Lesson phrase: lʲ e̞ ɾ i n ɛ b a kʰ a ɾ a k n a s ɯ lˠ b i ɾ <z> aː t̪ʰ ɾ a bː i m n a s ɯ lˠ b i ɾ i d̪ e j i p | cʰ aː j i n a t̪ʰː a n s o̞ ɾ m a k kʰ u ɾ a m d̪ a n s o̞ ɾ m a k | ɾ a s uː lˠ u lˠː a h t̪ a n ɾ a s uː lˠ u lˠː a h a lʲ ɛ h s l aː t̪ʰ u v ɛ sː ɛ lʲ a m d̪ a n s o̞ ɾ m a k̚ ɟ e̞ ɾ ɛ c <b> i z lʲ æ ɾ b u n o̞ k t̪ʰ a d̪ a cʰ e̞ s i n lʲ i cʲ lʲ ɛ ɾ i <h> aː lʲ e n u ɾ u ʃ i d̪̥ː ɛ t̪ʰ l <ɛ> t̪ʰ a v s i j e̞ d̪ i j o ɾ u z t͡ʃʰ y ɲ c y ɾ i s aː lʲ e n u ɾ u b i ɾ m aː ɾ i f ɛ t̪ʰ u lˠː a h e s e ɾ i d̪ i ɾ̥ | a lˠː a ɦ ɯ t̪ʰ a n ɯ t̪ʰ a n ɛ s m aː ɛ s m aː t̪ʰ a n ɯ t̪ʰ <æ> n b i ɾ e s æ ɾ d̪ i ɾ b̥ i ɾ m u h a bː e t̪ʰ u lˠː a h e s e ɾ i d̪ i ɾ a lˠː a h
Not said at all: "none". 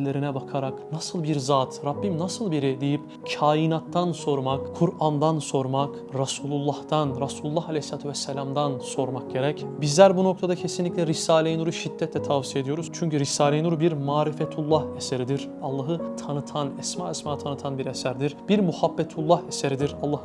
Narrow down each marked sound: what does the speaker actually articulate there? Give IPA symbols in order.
z, b, s, ɛ, a

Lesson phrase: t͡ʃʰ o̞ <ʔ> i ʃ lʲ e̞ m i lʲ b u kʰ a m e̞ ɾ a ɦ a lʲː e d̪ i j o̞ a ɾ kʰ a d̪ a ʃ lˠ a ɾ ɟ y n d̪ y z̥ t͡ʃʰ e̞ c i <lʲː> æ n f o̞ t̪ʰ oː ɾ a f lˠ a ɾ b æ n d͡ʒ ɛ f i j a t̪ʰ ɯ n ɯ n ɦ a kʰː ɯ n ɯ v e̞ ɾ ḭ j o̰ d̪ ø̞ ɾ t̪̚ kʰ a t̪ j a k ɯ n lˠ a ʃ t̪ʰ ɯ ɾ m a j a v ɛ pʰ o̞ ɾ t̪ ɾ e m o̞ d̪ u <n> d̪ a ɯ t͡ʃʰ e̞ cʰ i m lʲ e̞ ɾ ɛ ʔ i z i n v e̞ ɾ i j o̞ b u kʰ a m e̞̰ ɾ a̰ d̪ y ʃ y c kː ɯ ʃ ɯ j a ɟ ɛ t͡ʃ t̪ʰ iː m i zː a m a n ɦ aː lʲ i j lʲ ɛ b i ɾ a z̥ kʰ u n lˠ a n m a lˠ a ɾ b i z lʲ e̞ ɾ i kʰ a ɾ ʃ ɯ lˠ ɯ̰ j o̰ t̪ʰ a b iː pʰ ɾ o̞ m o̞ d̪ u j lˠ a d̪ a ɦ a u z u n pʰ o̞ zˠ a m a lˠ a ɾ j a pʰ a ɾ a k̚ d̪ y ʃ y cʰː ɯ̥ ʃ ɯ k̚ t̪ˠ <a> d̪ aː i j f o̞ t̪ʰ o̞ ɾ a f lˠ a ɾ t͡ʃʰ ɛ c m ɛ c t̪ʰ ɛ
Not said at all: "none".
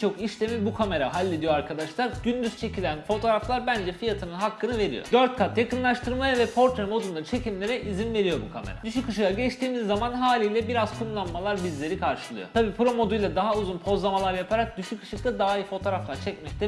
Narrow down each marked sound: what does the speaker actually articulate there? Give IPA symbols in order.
k, lʲ, n, a

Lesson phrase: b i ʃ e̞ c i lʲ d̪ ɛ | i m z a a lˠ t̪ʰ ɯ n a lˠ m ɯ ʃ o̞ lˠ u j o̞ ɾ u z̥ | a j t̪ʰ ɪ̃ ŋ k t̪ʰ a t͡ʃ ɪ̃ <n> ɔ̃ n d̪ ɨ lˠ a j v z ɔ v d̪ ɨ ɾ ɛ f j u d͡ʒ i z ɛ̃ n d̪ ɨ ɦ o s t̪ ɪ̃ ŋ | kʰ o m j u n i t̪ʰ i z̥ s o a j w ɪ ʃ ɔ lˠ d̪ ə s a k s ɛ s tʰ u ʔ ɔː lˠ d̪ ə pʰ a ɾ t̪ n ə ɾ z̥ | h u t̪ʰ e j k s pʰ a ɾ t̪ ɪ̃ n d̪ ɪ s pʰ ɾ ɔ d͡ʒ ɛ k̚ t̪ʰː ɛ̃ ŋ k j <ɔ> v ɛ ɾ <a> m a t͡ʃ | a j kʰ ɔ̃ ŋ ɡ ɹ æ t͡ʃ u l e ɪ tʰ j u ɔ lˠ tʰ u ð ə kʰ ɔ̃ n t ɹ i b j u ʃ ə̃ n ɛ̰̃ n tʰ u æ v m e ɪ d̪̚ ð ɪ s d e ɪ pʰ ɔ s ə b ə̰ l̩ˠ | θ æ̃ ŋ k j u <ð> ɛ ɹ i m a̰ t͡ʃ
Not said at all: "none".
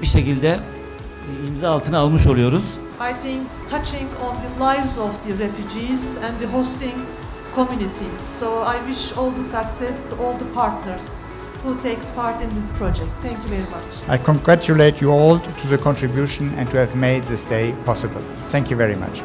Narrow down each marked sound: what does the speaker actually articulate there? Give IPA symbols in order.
ŋ, u, i, v

